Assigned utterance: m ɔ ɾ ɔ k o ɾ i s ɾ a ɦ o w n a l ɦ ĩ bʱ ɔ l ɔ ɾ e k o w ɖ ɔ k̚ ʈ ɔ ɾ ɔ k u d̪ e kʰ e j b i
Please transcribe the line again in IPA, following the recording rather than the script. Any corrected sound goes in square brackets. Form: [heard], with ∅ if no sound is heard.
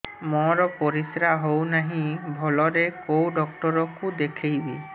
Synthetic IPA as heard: m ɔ ɾ ɔ [p] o ɾ i s ɾ a ɦ o w n a [∅] ɦ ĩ bʱ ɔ l ɔ ɾ e k o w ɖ ɔ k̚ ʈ ɔ ɾ ɔ k u d̪ e kʰ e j b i

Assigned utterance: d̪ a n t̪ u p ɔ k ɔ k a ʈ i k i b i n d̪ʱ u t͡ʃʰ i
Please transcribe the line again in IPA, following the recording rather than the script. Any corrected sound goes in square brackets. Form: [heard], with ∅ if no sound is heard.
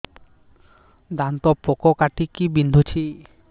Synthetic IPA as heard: d̪ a n t̪ [ɔ] p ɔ k ɔ k a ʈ i k i b i n d̪ʱ u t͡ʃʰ i

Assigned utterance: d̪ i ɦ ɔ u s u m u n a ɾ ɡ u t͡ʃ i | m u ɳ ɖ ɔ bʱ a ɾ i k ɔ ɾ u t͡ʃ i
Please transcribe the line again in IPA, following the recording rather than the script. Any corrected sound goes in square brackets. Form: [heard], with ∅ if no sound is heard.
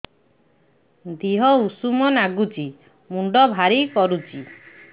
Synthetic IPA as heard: d̪ i ɦ ɔ u s u m [ɔ] n a [∅] ɡ u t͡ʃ i | m u ɳ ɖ ɔ bʱ a ɾ i k ɔ ɾ u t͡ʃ i

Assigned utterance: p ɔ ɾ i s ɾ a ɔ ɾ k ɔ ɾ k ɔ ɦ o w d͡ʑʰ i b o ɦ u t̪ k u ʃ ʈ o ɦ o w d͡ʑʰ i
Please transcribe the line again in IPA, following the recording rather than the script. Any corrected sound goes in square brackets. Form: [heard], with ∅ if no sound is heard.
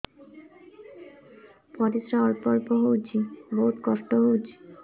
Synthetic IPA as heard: p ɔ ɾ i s ɾ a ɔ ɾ [p] ɔ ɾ [p] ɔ ɦ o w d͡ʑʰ i b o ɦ u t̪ k [ɔ] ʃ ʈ o ɦ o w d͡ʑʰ i

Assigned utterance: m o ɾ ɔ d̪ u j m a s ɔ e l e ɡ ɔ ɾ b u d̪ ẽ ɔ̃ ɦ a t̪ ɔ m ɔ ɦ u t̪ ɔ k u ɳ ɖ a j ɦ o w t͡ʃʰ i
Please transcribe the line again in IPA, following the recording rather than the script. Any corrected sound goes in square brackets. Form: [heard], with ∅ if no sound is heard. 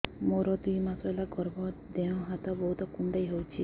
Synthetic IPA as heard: m o ɾ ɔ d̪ u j m a s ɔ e l [a] ɡ ɔ ɾ b [ɔ] d̪ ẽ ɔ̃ ɦ a t̪ ɔ [b] ɔ ɦ u t̪ ɔ k u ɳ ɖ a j ɦ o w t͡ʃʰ i

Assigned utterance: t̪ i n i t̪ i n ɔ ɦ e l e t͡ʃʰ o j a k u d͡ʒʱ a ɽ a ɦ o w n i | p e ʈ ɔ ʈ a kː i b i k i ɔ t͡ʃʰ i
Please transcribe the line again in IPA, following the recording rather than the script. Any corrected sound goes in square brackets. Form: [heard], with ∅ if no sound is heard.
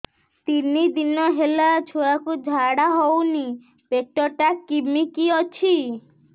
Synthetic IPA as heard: t̪ i n i [d̪] i n ɔ ɦ e l [a] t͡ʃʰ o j a k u d͡ʒʱ a ɽ a ɦ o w n i | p e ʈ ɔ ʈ a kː i [m] i k i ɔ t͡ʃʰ i

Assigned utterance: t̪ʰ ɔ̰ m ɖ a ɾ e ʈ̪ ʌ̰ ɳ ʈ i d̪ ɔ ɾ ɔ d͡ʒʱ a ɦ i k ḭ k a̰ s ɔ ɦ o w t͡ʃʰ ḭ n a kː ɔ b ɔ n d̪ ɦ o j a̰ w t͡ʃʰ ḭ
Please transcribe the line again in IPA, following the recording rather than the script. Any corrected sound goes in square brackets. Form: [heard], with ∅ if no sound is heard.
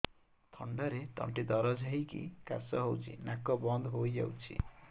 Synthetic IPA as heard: t̪ʰ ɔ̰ [ɳ] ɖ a ɾ e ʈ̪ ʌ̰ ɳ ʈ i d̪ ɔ ɾ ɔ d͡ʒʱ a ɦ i k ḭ k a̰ s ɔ ɦ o w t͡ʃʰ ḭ n a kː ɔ b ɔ n d̪ ɦ o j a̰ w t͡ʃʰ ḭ

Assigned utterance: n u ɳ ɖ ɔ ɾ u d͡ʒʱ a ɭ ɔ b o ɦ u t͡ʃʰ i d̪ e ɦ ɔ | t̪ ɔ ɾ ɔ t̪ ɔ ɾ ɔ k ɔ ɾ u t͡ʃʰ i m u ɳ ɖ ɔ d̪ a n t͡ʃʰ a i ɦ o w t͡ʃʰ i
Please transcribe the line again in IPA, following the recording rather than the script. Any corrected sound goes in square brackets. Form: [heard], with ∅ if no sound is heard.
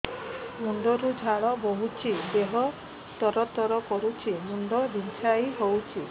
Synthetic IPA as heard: [m] u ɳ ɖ ɔ ɾ u d͡ʒʱ a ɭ ɔ b o ɦ u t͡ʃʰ i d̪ e ɦ ɔ | t̪ ɔ ɾ ɔ t̪ ɔ ɾ ɔ k ɔ ɾ u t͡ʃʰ i m u ɳ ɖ ɔ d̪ [i] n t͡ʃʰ a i ɦ o w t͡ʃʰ i

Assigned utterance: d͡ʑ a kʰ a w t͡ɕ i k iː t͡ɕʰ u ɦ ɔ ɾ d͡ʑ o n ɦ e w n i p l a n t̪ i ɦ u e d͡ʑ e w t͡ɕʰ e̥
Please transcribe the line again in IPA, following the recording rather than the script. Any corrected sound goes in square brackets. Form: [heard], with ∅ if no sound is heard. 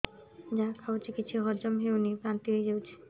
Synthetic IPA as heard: d͡ʑ a kʰ a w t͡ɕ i k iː t͡ɕʰ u ɦ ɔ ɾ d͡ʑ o [m] ɦ e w n i p [ɾ] a n t̪ i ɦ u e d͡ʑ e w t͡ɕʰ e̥

